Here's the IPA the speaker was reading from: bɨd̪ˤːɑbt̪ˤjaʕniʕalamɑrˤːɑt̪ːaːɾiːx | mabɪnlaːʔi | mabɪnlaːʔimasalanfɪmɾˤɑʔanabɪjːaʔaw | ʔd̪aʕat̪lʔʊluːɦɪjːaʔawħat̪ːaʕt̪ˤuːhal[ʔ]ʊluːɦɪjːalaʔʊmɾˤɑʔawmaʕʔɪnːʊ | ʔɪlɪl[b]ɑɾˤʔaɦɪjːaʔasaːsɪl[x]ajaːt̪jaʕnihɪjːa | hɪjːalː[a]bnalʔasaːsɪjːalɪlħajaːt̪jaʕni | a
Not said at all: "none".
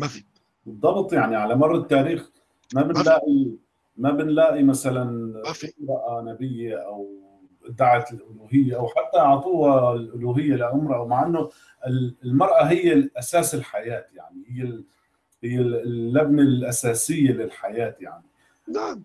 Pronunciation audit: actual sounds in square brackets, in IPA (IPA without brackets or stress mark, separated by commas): ʔ, m, ħ, a